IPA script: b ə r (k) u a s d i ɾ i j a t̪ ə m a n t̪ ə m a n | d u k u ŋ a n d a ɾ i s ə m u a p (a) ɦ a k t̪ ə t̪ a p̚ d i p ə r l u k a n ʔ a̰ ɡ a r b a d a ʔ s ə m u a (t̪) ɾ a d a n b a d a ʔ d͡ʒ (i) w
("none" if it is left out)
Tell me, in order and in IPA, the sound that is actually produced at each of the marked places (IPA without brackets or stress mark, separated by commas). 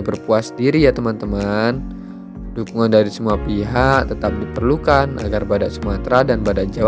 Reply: p, i, t̪, a